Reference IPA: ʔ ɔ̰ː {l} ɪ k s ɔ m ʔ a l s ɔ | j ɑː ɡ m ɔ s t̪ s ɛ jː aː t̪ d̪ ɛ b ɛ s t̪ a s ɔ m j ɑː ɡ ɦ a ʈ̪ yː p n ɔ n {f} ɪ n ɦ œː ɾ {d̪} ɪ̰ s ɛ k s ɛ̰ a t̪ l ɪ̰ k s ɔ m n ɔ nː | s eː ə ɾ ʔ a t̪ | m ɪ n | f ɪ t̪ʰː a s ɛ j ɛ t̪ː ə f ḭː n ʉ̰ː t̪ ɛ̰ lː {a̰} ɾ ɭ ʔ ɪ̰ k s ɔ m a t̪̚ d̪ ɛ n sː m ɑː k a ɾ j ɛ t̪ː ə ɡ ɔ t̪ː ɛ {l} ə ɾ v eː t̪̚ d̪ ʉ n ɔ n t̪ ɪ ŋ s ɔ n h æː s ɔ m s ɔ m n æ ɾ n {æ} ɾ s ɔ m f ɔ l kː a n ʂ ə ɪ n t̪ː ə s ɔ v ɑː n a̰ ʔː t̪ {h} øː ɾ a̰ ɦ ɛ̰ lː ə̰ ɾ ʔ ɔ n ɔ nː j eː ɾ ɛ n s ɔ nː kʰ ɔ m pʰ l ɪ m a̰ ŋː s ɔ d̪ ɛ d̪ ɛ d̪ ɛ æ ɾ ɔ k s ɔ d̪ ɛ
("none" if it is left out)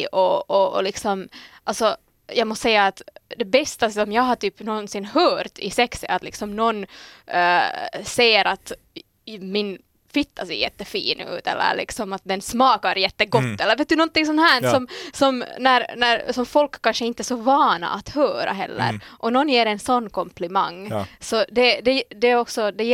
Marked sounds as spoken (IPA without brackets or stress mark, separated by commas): l, s, t̪, ə̰, lː, æ, h